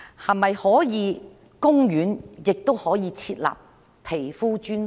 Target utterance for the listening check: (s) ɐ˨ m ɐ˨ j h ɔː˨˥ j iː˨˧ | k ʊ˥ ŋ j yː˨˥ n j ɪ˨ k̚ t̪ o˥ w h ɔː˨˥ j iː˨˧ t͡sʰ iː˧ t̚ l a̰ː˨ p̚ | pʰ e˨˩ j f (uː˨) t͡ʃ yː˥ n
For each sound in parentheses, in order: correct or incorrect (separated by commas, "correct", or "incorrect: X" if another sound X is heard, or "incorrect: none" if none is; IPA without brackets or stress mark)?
incorrect: h, incorrect: uː˥